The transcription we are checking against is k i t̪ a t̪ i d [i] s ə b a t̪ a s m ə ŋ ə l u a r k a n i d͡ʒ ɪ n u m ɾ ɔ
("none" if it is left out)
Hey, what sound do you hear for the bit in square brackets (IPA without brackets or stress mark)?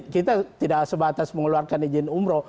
a